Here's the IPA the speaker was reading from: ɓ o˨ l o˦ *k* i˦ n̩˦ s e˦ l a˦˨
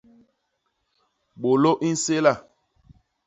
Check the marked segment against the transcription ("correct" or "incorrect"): incorrect